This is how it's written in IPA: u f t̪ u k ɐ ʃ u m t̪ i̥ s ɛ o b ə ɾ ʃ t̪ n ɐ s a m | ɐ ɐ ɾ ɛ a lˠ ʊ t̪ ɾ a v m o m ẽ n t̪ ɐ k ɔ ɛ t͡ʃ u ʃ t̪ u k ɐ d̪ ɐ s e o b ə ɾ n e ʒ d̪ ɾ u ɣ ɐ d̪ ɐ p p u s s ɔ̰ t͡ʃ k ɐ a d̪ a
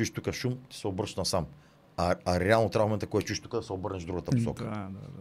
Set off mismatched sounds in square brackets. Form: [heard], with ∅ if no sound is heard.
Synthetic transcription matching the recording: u [ʃ] t̪ u k ɐ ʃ u m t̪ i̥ s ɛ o b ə ɾ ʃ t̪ n ɐ s a m | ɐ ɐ ɾ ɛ a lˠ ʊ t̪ ɾ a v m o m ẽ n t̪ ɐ k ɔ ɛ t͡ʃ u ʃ t̪ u k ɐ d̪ ɐ s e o b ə ɾ n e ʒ d̪ ɾ u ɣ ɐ [t̪] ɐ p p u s s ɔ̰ [∅] k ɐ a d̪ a